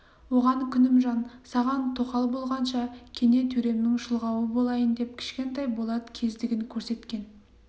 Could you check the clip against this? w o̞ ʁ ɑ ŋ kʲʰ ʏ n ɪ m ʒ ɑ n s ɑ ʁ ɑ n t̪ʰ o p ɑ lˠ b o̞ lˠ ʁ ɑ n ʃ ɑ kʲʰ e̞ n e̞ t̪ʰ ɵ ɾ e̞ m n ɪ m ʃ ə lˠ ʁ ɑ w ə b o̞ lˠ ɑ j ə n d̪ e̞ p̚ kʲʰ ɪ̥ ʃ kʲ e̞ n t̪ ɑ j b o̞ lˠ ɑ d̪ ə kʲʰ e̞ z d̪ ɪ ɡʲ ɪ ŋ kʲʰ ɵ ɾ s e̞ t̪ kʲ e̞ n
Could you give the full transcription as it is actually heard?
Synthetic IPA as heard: w o̞ ʁ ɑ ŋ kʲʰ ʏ n ɪ m ʒ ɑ n s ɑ ʁ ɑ n t̪ʰ o q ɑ lˠ b o̞ lˠ ʁ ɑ n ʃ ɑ kʲʰ e̞ n e̞ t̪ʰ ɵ ɾ e̞ m n ɪ ŋ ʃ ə lˠ ʁ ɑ w ə b o̞ lˠ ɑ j ə n d̪ e̞ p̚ kʲʰ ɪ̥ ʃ kʲ e̞ n t̪ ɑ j b o̞ lˠ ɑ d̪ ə kʲʰ e̞ z d̪ ɪ ɡʲ ɪ ŋ kʲʰ ɵ ɾ s e̞ t̪ kʲ e̞ n

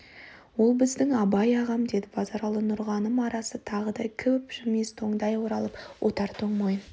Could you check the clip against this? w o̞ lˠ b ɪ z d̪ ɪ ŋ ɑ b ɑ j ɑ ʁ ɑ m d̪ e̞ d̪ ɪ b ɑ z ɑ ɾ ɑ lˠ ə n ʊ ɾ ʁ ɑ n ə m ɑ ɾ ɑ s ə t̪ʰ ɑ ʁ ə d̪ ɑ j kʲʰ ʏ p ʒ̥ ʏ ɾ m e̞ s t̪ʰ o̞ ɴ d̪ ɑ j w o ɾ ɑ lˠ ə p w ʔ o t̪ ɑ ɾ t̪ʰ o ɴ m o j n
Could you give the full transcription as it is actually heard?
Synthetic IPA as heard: w o̞ lˠ b ɪ z d̪ ɪ ŋ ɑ b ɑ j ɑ ʁ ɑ m d̪ e̞ d̪ ɪ b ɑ z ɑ ɾ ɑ lˠ ə n ʊ ɾ ʁ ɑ n ə m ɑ ɾ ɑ s ə t̪ʰ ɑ ʁ ə d̪ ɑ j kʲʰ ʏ p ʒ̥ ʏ ɾ m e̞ s t̪ʰ o̞ ɴ d̪ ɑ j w o ɾ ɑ lˠ ə p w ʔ o t̪ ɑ ɾ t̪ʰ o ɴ m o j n

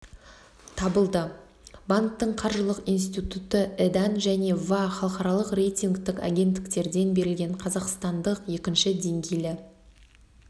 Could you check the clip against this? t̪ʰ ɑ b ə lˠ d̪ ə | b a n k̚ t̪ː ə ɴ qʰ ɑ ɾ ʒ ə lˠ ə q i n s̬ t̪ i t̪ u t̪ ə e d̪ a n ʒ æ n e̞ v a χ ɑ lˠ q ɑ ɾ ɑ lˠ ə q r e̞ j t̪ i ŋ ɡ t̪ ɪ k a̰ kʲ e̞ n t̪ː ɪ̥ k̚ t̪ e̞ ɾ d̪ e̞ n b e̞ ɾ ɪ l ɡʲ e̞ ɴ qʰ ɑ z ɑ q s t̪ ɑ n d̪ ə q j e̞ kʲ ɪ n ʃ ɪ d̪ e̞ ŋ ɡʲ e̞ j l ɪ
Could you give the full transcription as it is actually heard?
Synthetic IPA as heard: t̪ʰ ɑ b ə lˠ d̪ ə | b a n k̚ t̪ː ə ɴ qʰ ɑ ɾ ʒ ə lˠ ə q i n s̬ t̪ i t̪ u t̪ ə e d̪ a n ʒ æ n e̞ v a χ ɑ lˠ q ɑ ɾ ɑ lˠ ə q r e̞ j t̪ i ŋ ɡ t̪ ɪ k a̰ ɡʲ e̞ n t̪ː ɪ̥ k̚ t̪ e̞ ɾ d̪ e̞ n b e̞ ɾ ɪ l ɡʲ e̞ ɴ qʰ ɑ z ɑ q s t̪ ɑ n d̪ ə q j e̞ kʲ ɪ n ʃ ɪ d̪ e̞ ŋ ɡʲ e̞ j l ɪ

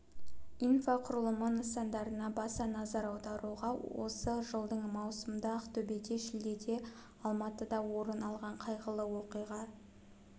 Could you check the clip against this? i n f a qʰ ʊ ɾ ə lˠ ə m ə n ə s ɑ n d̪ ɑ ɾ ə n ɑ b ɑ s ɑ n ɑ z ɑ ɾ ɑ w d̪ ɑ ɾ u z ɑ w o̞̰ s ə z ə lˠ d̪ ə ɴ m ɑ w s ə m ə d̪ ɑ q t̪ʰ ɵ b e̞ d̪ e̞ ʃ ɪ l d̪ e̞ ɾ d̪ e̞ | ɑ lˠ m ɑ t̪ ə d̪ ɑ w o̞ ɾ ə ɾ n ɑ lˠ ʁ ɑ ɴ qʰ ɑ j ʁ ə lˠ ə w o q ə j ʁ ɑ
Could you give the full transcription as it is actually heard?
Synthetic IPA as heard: i n f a qʰ ʊ ɾ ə lˠ ə m ə n ə s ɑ n d̪ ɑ ɾ ə n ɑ b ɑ s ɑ n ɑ z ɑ ɾ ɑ w d̪ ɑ ɾ u ʁ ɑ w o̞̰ s ə ʒ ə lˠ d̪ ə ɴ m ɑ w s ə m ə d̪ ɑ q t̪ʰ ɵ b e̞ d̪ e̞ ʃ ɪ l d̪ e̞ d̪ e̞ | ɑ lˠ m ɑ t̪ ə d̪ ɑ w o̞ ɾ ə n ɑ lˠ ʁ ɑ ɴ qʰ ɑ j ʁ ə lˠ ə w o q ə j ʁ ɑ

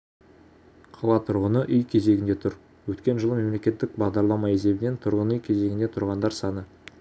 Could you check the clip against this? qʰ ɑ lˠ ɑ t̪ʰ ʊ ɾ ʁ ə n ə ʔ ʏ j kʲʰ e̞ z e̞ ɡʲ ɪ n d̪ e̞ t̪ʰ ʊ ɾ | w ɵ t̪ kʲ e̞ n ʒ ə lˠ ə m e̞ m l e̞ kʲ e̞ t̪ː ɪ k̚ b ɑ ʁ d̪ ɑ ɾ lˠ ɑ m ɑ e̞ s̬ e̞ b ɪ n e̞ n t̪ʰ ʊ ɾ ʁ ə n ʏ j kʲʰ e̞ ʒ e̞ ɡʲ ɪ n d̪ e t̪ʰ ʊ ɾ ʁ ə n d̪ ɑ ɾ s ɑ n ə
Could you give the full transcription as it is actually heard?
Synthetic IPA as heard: qʰ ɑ lˠ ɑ t̪ʰ ʊ ɾ ʁ ə n ə ʔ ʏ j kʲʰ e̞ z e̞ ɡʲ ɪ n d̪ e̞ t̪ʰ ʊ ɾ | w ɵ t̪ kʲ e̞ n ʒ ə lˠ ə m e̞ m l e̞ kʲ e̞ t̪ː ɪ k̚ b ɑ ʁ d̪ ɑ ɾ lˠ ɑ m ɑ e̞ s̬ e̞ b ɪ n e̞ n t̪ʰ ʊ ɾ ʁ ə n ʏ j kʲʰ e̞ z e̞ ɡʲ ɪ n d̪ e t̪ʰ ʊ ɾ ʁ ɑ n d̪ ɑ ɾ s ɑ n ə

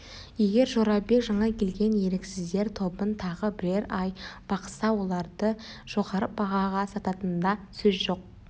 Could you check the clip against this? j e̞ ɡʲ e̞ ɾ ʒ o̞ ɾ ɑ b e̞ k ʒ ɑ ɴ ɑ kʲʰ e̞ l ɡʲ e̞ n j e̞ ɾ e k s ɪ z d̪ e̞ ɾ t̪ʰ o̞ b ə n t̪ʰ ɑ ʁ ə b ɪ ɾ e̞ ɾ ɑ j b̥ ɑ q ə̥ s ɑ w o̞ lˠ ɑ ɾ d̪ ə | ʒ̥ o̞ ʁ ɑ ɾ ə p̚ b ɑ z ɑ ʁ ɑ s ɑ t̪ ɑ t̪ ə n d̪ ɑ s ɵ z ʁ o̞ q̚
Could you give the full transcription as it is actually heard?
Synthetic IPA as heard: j e̞ ɡʲ e̞ ɾ ʒ o̞ ɾ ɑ b e̞ k ʒ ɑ ɴ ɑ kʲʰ e̞ l ɡʲ e̞ n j e̞ ɾ e k s ɪ z d̪ e̞ ɾ t̪ʰ o̞ b ə n t̪ʰ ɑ ʁ ə b ɪ ɾ e̞ ɾ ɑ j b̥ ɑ q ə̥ s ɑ w o̞ lˠ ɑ ɾ d̪ ə | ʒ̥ o̞ ʁ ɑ ɾ ə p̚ b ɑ ʁ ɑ ʁ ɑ s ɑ t̪ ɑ t̪ ə n d̪ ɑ s ɵ z ʒ o̞ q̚

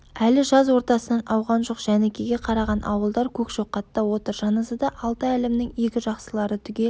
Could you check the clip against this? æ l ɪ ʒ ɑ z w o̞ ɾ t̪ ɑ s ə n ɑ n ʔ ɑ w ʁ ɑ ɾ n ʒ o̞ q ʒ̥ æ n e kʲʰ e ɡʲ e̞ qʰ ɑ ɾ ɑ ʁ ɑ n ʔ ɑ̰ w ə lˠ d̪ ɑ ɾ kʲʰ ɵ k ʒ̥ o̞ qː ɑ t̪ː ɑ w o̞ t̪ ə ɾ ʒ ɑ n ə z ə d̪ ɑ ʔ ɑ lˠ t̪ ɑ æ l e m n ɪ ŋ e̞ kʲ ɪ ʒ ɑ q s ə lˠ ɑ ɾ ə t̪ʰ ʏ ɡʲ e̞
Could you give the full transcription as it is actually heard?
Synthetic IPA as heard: æ l ɪ ʒ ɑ z w o̞ ɾ t̪ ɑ s ə n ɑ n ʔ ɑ w ʁ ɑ n ʒ o̞ q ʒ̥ æ n e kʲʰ e ɡʲ e̞ qʰ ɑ ɾ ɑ ʁ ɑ n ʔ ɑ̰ w ə lˠ d̪ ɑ ɾ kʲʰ ɵ k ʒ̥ o̞ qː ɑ t̪ː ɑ w o̞ t̪ ə ɾ ʒ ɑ n ə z ə d̪ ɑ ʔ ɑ lˠ t̪ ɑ æ l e m n ɪ ŋ e̞ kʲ ɪ ʒ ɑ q s ə lˠ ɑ ɾ ə t̪ʰ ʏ ɡʲ e̞

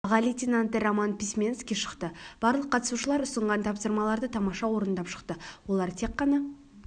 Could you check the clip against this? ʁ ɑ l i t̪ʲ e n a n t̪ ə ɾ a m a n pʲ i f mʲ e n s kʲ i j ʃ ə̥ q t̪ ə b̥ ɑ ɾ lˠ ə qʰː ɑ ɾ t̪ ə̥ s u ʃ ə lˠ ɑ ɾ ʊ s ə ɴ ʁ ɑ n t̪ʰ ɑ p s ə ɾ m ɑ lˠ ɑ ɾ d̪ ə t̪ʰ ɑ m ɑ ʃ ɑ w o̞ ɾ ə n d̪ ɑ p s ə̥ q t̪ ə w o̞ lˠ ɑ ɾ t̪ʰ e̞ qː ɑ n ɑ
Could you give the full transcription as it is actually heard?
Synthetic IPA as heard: ʁ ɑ l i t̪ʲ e n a n t̪ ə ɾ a m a n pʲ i s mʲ e n s kʲ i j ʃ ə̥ q t̪ ə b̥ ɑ ɾ lˠ ə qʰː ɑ t̪ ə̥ s u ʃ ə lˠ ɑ ɾ ʊ s ə ɴ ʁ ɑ n t̪ʰ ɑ p s ə ɾ m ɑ lˠ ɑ ɾ d̪ ə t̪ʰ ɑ m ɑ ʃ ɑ w o̞ ɾ ə n d̪ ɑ p ʃ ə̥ q t̪ ə w o̞ lˠ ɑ ɾ t̪ʰ e̞ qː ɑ n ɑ

